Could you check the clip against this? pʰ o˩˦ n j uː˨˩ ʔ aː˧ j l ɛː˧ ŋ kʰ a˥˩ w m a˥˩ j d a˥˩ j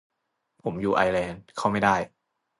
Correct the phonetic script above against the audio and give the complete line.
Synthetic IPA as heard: pʰ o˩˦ m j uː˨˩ ʔ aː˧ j l ɛː˧ n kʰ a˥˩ w m a˥˩ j d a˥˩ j